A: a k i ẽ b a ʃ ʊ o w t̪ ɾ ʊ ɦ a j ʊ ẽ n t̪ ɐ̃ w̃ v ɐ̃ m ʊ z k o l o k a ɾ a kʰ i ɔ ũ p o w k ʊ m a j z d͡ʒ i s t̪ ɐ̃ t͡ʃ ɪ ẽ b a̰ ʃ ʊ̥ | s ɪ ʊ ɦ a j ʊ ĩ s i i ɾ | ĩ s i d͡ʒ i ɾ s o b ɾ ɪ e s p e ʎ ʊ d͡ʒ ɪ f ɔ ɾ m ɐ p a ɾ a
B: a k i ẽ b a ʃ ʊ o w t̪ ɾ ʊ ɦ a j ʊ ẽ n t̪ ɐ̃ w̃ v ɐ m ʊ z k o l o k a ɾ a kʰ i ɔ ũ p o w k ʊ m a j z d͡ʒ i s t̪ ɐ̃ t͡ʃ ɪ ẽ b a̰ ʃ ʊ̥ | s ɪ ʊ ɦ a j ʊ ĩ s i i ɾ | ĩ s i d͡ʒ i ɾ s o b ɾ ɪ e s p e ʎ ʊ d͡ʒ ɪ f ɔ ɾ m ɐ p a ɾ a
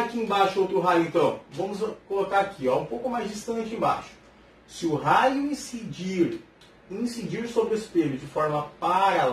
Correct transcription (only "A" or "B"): A